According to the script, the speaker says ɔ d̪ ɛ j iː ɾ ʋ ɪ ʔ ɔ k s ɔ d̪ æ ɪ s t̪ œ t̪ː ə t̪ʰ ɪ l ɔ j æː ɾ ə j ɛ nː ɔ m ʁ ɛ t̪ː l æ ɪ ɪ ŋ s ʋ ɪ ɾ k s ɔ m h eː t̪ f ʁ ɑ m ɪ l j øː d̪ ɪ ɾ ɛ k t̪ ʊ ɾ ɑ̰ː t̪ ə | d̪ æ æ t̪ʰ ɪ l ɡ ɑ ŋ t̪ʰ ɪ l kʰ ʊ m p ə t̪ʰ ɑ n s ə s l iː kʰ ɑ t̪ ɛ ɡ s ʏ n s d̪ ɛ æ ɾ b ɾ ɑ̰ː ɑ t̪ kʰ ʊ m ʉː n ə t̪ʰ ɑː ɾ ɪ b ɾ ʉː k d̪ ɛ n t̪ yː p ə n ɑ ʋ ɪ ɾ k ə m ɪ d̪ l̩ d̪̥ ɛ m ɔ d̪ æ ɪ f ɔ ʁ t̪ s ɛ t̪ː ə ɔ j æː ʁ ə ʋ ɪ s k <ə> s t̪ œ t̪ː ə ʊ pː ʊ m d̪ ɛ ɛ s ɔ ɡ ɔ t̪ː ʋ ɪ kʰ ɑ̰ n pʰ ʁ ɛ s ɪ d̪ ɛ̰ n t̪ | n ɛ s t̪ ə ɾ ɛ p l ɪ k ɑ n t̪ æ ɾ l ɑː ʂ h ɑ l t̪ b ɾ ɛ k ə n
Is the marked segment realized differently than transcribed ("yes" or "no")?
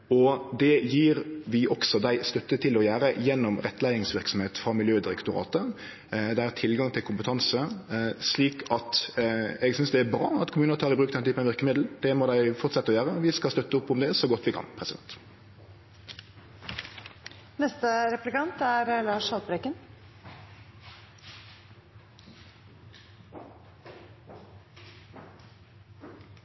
yes